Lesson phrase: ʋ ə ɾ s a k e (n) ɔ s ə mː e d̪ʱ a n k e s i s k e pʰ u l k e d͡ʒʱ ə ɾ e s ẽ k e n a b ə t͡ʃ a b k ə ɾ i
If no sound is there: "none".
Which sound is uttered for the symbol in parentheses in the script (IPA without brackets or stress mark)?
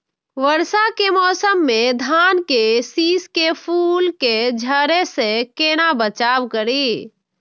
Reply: m